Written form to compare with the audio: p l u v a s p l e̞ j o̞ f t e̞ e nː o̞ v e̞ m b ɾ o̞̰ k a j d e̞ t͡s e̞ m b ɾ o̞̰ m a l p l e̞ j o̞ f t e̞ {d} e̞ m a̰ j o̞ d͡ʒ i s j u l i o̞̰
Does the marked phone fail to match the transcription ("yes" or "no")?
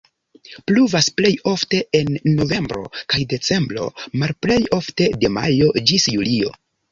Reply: no